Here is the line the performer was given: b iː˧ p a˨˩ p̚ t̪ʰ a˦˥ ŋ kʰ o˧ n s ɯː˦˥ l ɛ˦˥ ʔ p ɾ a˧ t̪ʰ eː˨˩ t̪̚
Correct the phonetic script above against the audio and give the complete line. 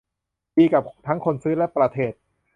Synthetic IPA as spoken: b iː˧ k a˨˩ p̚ t̪ʰ a˦˥ ŋ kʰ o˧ n s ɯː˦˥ l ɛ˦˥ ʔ p ɾ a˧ t̪ʰ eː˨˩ t̪̚